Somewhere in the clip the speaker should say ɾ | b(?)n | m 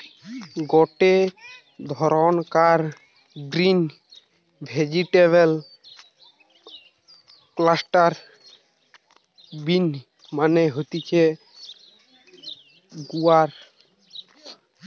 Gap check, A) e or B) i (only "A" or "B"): B